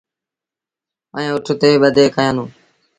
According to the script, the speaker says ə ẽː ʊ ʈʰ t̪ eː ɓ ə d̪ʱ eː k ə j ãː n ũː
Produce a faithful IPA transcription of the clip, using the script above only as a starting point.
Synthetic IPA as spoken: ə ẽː ʊ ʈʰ t̪ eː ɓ ə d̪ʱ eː k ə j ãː n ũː